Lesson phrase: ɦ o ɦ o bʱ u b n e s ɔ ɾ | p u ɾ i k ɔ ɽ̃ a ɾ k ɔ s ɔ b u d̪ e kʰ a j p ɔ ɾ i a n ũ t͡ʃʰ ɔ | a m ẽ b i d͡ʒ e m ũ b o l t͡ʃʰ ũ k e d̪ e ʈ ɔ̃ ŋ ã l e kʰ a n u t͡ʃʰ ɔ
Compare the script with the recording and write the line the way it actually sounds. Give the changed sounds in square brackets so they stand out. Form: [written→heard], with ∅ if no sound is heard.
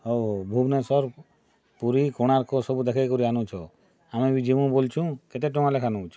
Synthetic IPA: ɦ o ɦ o bʱ u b n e s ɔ ɾ | p u ɾ i k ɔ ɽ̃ a ɾ k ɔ s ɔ b u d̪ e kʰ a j [p→k] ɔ ɾ i a n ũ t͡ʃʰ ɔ | a m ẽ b i d͡ʒ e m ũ b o l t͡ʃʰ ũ k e [d̪→t̪] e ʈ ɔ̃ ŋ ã l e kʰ a n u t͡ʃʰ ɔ